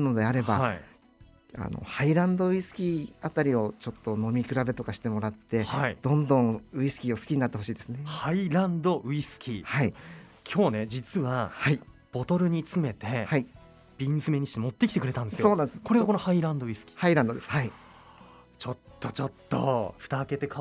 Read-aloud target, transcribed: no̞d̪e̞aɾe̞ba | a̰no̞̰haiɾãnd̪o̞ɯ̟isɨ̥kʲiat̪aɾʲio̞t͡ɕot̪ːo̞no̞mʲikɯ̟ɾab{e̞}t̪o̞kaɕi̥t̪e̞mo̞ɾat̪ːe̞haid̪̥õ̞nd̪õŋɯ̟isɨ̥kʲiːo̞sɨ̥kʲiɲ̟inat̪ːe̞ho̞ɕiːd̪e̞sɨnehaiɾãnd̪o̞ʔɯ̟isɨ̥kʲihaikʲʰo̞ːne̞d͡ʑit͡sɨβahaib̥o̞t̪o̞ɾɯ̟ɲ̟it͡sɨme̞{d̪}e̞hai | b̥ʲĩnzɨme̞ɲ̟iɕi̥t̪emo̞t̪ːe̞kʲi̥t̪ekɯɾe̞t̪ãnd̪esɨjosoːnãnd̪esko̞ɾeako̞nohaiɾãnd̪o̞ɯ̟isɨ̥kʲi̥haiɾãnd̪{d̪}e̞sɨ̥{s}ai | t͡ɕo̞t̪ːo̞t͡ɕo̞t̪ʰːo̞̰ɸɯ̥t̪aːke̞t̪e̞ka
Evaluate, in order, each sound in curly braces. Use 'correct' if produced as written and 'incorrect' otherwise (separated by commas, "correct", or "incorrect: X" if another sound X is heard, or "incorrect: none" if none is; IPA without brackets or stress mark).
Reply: correct, incorrect: t̪, correct, incorrect: h